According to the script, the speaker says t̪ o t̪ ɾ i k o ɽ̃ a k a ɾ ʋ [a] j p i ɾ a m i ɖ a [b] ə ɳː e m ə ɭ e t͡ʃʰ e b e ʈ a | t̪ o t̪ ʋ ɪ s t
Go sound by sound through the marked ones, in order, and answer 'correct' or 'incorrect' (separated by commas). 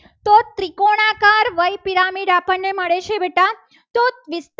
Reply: incorrect, incorrect